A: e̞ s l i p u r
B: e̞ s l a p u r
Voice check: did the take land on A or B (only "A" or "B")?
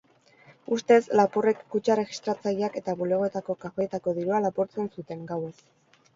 B